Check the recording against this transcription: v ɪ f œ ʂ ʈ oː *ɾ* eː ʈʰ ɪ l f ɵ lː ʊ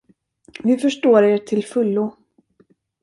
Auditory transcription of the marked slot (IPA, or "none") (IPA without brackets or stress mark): ɾ